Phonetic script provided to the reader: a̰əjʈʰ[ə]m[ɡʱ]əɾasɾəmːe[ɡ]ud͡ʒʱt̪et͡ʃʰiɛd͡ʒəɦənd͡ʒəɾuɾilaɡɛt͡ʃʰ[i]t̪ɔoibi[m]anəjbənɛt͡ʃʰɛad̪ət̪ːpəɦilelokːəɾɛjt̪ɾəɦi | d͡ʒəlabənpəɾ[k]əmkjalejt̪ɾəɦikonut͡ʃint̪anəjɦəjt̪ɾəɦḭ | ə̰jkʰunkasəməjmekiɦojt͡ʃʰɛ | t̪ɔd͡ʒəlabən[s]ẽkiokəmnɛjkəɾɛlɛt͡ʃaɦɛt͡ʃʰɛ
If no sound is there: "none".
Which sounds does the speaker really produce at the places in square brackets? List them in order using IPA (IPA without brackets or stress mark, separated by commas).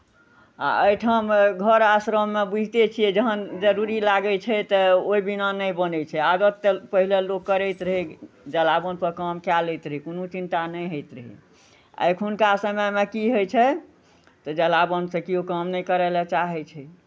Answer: ə, ɡʱ, b, ɛ, n, k, s